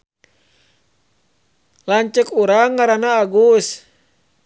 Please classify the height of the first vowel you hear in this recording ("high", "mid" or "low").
low